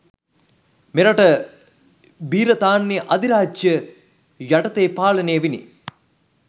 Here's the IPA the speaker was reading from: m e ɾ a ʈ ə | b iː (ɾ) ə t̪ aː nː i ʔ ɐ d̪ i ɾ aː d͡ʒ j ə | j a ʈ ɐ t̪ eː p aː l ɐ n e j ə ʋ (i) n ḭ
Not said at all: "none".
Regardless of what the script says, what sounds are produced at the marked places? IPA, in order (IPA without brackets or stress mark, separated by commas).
ɾ, i